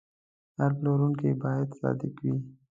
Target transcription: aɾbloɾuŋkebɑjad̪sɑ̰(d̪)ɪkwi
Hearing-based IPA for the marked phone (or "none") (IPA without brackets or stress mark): d̪